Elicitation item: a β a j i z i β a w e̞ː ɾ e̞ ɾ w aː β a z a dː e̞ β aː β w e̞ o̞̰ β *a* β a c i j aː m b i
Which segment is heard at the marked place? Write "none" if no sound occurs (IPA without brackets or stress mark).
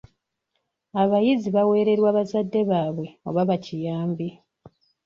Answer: a